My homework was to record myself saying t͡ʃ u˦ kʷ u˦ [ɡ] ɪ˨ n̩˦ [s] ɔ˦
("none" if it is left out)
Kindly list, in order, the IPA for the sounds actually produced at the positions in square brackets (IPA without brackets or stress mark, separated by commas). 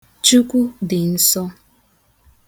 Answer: d, s